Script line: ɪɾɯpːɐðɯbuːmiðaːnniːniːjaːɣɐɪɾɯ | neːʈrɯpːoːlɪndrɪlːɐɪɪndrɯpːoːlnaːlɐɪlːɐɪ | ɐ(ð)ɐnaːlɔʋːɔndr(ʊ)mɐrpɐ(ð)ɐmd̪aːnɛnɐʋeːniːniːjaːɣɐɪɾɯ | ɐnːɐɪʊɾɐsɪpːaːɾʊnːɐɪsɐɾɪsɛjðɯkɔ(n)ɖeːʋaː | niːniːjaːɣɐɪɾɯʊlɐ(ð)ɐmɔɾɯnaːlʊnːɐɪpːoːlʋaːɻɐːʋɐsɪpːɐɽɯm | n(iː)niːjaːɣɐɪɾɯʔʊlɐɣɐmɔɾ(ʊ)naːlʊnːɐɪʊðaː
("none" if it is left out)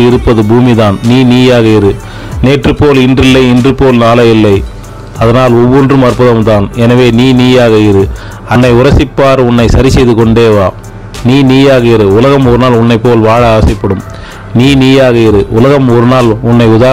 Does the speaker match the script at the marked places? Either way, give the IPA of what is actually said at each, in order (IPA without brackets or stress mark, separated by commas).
ð, ɯ, ð, ɳ, ɣ, iː, ɯ